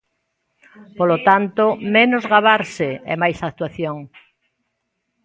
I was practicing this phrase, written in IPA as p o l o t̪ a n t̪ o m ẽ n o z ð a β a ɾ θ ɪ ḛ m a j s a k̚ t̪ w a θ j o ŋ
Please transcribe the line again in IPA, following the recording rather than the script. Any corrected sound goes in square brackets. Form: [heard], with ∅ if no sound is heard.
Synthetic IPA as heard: p o l o t̪ a n t̪ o m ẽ n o z [ɣ] a β a ɾ [s] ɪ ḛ m a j s a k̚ t̪ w a θ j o ŋ